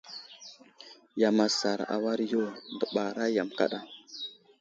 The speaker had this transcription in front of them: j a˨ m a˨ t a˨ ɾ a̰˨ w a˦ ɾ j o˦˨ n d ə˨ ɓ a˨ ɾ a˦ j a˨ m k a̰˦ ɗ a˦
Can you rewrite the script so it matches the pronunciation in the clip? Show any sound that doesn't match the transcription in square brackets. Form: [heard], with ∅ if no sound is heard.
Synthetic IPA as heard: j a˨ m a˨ [s] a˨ ɾ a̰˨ w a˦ ɾ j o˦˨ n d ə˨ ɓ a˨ ɾ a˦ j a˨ m k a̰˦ ɗ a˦